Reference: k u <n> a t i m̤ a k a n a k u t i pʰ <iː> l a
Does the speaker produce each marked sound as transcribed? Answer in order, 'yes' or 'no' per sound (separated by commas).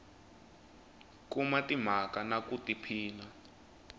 no, yes